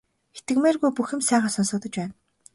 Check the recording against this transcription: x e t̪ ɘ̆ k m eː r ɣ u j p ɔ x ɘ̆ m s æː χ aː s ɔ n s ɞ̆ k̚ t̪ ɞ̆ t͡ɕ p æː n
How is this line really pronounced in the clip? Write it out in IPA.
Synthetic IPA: x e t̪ ɘ̆ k m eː r ɣ u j p u x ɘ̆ m s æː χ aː s ɔ n s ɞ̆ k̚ t̪ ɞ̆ t͡ɕ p æː n